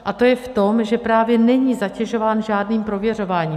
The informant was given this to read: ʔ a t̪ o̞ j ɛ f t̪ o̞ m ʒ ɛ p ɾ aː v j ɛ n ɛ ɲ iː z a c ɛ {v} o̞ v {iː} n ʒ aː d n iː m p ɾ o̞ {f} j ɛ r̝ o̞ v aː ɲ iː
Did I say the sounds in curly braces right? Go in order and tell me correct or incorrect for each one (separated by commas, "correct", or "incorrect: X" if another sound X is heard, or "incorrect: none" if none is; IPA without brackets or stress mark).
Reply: incorrect: ʒ, incorrect: aː, incorrect: v